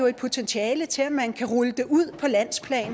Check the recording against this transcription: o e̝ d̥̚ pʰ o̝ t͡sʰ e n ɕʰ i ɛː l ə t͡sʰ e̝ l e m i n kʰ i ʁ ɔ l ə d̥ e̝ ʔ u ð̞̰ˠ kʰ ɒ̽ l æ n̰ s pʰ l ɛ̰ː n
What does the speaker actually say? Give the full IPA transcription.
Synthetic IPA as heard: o e̝ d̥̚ pʰ o̝ t͡sʰ e n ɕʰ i ɛː l ə t͡sʰ e̝ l æ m æ n kʰ æ ʁ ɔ l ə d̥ e̝ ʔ u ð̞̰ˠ pʰ ɒ̽ l æ n̰ s pʰ l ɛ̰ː n